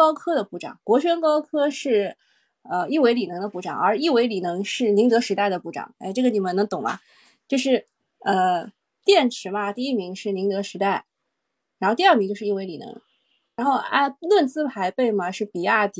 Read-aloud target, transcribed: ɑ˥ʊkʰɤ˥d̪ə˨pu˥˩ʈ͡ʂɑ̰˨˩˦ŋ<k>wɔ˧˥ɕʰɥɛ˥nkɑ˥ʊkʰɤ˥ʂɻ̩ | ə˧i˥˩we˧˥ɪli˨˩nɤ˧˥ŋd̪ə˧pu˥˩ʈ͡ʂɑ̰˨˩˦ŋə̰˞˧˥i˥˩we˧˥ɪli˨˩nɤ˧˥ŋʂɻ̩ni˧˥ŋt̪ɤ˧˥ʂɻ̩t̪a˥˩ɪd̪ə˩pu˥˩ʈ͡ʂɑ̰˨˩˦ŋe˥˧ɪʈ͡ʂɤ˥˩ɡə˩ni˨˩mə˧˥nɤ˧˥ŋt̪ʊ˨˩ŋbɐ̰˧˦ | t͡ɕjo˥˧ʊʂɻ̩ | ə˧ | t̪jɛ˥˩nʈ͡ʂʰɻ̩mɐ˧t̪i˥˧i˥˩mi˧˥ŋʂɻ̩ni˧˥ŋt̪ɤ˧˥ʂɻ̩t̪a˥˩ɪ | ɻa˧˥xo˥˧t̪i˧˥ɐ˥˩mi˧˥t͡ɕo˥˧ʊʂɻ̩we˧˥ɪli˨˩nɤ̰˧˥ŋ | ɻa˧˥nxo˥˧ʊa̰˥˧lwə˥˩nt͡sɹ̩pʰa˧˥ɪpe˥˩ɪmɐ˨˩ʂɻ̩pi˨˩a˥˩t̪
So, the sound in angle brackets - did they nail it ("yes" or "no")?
yes